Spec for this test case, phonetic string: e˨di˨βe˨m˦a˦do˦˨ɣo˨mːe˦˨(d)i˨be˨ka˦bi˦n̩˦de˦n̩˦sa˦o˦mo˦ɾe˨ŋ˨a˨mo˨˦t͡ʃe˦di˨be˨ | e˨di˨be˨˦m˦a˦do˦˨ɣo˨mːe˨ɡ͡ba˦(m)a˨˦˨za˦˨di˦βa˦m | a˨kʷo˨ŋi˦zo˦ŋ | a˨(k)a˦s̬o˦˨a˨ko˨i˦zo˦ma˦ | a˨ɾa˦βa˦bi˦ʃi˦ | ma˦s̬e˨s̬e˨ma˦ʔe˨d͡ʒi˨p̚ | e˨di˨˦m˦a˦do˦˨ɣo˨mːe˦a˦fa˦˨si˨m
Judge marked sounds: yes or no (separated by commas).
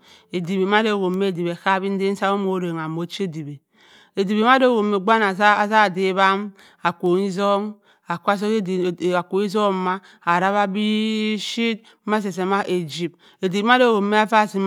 yes, no, yes